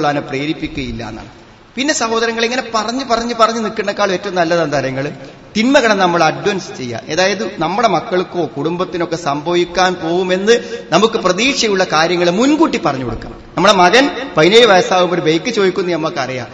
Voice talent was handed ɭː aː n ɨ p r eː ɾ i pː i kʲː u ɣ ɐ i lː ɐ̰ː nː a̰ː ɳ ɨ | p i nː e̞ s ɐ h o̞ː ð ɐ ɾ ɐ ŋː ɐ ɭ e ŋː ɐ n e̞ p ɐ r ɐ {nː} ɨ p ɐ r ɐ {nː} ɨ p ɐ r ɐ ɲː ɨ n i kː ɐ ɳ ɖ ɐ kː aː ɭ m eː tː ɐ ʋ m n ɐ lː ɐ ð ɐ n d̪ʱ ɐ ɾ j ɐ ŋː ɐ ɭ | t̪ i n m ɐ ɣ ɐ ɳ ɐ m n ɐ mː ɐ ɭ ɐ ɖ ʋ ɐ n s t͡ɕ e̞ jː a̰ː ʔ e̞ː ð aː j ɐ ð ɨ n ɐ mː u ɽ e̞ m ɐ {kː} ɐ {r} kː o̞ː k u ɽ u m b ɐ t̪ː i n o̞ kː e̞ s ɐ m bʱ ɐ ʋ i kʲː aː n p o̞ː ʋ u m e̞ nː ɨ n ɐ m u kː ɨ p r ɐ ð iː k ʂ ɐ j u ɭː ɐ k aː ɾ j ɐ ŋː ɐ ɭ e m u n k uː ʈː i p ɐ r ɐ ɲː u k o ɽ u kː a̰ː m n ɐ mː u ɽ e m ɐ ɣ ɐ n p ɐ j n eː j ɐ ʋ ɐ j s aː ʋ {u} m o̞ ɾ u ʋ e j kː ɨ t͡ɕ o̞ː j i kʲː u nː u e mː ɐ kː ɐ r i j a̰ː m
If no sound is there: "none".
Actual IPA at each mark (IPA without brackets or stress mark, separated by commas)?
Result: ɲː, ɲː, kː, ɭ, u